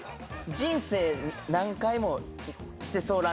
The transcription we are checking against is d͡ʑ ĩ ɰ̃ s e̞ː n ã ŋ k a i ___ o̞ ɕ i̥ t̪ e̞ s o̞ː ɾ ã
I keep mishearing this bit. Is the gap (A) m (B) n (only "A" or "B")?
A